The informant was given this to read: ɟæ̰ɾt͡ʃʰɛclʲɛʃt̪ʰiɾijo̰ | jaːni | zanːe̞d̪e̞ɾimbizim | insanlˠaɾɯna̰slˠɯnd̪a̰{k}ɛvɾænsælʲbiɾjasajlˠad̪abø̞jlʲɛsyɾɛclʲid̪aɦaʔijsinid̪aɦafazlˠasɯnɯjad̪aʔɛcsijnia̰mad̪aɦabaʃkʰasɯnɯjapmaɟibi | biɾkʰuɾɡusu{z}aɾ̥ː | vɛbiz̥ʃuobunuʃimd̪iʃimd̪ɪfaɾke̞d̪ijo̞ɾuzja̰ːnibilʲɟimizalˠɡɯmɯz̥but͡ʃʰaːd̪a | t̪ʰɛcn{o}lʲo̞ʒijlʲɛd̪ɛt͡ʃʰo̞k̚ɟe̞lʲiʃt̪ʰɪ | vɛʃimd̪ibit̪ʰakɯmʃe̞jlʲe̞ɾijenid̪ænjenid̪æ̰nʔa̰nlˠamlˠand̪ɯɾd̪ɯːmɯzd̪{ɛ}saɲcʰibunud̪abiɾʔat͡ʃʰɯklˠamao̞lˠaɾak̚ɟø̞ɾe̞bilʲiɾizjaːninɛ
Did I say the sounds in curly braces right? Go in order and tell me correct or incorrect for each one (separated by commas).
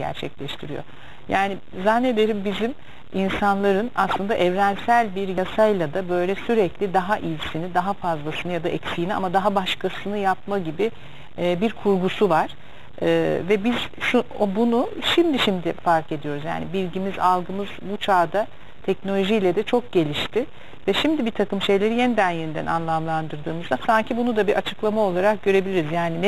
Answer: incorrect, incorrect, correct, incorrect